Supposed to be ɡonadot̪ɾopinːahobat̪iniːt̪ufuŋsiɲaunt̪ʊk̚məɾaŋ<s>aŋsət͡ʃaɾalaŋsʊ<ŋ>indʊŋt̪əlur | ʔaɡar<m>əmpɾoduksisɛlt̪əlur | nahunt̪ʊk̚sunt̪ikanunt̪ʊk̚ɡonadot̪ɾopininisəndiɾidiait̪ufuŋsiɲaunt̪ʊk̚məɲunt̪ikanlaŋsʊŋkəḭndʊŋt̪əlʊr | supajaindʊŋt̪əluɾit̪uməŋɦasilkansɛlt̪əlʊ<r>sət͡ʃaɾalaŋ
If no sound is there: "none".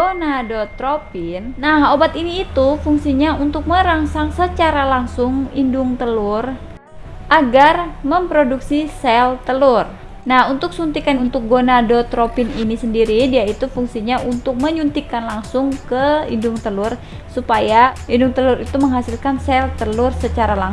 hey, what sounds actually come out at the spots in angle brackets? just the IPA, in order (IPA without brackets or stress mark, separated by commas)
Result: s, ŋ, m, r